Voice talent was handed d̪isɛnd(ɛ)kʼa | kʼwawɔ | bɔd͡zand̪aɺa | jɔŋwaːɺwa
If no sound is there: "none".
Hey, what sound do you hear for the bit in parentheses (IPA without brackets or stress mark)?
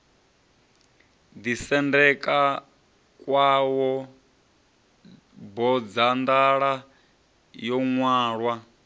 ɛ